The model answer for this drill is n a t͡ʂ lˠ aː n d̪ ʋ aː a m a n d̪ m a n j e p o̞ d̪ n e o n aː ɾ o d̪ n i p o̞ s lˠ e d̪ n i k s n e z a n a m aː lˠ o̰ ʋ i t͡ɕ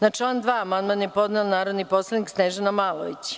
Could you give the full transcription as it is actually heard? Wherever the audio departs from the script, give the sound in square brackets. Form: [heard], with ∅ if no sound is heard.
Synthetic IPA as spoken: n a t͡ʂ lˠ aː n d̪ ʋ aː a m a n d̪ m a n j e p o̞ d̪ n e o n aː ɾ o d̪ n i p o̞ s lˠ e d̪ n i k s n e [ʒ] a n a m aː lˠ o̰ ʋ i t͡ɕ

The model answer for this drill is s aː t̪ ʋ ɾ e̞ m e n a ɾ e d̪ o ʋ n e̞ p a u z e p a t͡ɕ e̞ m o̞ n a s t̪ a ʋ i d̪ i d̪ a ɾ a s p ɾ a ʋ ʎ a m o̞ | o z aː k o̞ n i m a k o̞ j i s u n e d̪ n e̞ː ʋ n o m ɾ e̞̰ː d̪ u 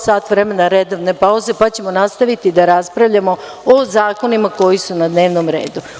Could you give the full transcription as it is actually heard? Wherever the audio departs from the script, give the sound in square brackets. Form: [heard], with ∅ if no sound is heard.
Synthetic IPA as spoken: s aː t̪ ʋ ɾ e̞ m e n a ɾ e d̪ o ʋ n e̞ p a u z e p a t͡ɕ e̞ m o̞ n a s t̪ a ʋ i [t̪] i d̪ a ɾ a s p ɾ a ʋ ʎ a m o̞ | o z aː k o̞ n i m a k o̞ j i s u n [a] d̪ n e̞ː ʋ n o m ɾ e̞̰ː d̪ u

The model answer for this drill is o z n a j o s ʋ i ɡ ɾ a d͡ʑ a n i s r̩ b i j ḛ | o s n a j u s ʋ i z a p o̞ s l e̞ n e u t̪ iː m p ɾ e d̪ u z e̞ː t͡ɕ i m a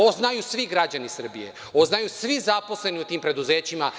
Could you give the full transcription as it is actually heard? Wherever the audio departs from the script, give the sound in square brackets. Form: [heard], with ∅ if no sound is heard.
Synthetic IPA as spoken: o z n a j [u] s ʋ i ɡ ɾ a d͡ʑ a n i s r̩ b i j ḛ | o [z] n a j u s ʋ i z a p o̞ s l e̞ n [i] u t̪ iː m p ɾ e d̪ u z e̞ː t͡ɕ i m a

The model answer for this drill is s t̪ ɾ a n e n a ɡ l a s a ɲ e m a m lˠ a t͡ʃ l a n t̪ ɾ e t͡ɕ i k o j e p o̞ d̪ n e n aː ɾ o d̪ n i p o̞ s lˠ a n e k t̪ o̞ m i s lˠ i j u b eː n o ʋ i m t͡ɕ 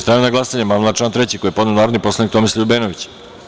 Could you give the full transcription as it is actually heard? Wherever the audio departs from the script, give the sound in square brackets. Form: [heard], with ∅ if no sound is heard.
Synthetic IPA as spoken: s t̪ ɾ a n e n a ɡ l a s a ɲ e m a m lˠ a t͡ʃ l a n t̪ ɾ e t͡ɕ i k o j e p o̞ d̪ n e n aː ɾ o d̪ n i p o̞ s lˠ a n [i] k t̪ o̞ m i s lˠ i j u b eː n o ʋ i [∅] t͡ɕ

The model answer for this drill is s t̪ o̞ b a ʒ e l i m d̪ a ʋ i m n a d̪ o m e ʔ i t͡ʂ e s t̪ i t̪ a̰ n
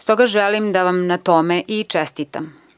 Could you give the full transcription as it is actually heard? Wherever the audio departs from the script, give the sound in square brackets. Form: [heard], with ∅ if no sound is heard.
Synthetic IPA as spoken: s t̪ o̞ [ɡ] a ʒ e l i m d̪ a ʋ [a] m n a [t̪] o m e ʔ i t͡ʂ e s t̪ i t̪ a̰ [m]

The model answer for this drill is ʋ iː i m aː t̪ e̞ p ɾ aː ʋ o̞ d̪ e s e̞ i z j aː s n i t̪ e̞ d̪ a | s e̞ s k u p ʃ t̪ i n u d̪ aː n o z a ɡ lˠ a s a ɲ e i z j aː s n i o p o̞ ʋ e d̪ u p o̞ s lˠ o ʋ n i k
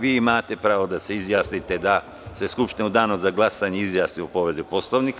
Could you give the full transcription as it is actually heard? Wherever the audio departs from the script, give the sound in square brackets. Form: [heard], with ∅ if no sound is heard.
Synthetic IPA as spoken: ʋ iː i m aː t̪ e̞ p ɾ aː ʋ o̞ d̪ [a] s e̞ i z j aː s n i t̪ e̞ d̪ a | s e̞ s k u p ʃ t̪ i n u d̪ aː n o z a ɡ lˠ a s a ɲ e i z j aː s n i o p o̞ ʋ e d̪ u p o̞ s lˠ o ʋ n i k

